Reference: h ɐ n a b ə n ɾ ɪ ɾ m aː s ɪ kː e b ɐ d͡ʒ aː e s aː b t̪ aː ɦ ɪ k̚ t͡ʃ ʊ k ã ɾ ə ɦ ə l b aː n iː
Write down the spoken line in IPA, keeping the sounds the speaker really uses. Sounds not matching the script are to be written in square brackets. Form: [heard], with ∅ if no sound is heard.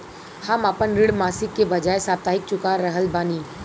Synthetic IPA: h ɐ [m] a [p] ə n ɾ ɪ [ɽ] m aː s ɪ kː e b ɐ d͡ʒ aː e s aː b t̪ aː ɦ ɪ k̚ t͡ʃ ʊ k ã ɾ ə ɦ ə l b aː n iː

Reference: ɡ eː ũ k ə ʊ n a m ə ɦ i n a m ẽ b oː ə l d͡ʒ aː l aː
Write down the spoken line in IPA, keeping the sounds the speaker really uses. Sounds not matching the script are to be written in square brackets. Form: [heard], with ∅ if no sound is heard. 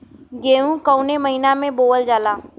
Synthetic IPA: ɡ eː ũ k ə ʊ n [e] m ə ɦ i n a m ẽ b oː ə l d͡ʒ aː l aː

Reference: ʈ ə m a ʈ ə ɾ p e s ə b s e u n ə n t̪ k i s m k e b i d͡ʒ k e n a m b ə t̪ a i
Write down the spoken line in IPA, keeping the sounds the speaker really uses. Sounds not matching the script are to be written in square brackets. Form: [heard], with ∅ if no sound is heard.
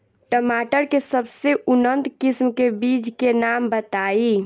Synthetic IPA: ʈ ə m a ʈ ə ɾ [k] e s ə b s e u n ə n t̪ k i s m k e b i d͡ʒ k e n a m b ə t̪ a i

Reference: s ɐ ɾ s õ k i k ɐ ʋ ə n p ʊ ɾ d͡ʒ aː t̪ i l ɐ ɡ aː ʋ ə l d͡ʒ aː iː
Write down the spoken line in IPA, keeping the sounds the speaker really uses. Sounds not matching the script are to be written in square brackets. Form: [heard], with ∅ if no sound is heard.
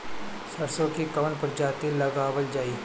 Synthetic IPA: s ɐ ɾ s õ k i k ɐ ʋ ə n p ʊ ɾ d͡ʒ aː t̪ i l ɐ ɡ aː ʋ ə l d͡ʒ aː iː

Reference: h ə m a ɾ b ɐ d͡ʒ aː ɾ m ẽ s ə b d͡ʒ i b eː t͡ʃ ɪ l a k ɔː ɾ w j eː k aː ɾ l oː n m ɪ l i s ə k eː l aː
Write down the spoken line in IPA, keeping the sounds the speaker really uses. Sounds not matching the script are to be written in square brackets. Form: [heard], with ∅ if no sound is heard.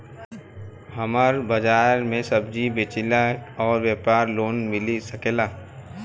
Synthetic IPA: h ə m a ɾ b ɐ d͡ʒ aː ɾ m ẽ s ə b d͡ʒ i b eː t͡ʃ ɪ l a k ɔː ɾ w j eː [p] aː ɾ l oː n m ɪ l i s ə k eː l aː

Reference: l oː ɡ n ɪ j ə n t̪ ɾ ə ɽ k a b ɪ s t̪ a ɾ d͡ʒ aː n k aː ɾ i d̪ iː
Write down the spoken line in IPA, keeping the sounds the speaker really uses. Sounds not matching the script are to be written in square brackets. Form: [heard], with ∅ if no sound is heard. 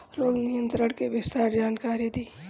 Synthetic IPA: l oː ɡ n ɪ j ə n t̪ ɾ ə ɽ k [e] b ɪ s t̪ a ɾ d͡ʒ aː n k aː ɾ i d̪ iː

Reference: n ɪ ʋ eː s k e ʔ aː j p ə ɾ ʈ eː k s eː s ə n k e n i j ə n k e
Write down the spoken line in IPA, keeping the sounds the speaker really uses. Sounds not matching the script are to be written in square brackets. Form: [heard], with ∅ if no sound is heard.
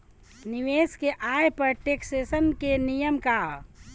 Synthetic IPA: n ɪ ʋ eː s k e ʔ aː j p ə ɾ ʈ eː k s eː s ə n k e n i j ə [m] k [a]

